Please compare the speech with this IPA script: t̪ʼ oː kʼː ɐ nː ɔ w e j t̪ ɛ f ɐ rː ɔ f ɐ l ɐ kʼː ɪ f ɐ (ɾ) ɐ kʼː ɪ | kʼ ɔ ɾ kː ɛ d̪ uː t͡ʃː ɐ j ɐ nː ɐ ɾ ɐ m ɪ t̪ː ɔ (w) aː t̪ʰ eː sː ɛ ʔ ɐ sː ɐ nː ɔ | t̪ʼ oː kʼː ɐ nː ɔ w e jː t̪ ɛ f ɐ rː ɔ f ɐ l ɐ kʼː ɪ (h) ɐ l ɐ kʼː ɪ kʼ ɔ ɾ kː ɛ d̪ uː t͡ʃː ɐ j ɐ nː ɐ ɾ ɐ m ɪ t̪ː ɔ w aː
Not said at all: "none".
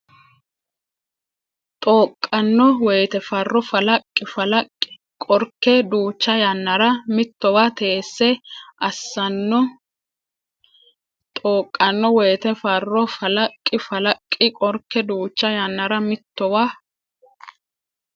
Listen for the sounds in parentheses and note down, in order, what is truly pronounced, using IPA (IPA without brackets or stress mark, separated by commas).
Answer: l, w, f